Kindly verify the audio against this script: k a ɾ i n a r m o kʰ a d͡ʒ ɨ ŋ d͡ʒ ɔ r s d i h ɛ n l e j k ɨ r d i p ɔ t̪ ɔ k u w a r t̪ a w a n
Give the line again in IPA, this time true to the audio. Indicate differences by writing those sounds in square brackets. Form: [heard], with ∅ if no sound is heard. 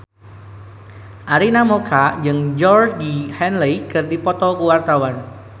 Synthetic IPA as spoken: [ʔ] a ɾ i n a [∅] m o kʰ a d͡ʒ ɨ ŋ d͡ʒ ɔ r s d i h ɛ n l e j k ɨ r d i p ɔ t̪ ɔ k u w a r t̪ a w a n